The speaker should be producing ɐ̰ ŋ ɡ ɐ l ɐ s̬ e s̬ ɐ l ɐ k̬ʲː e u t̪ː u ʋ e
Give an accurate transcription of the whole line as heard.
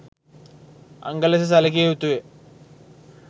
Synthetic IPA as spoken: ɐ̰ ŋ ɡ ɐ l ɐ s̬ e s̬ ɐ l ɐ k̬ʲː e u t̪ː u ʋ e